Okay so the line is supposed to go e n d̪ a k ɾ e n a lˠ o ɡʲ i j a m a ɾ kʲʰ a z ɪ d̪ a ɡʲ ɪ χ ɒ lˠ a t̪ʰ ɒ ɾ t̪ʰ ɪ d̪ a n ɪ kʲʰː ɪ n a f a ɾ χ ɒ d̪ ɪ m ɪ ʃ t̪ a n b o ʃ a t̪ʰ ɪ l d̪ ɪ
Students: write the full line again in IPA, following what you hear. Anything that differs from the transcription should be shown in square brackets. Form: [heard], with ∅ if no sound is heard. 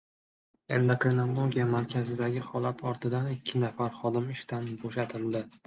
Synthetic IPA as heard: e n d̪ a k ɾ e n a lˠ o ɡʲ i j a m a ɾ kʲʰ a z ɪ d̪ a ɡʲ ɪ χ ɒ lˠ a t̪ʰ ɒ ɾ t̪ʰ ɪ d̪ a n ɪ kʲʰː ɪ n a f a ɾ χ ɒ d̪ ɪ m ɪ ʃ t̪ a n b o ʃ a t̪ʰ ɪ l d̪ ɪ